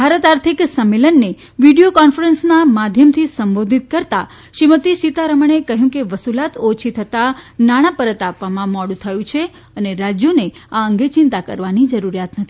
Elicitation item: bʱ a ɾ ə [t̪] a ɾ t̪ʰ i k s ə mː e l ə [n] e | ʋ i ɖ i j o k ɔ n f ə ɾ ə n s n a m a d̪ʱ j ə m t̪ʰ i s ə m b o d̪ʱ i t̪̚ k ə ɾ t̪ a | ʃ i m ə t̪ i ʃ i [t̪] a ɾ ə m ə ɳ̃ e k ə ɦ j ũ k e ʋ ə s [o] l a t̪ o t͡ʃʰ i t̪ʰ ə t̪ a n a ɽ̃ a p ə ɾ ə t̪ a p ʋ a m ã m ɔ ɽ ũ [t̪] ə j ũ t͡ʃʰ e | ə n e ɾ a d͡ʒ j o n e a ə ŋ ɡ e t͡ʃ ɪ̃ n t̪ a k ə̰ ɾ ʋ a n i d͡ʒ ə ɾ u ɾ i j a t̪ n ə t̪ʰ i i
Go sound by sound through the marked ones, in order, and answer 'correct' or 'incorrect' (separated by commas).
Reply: correct, incorrect, correct, incorrect, incorrect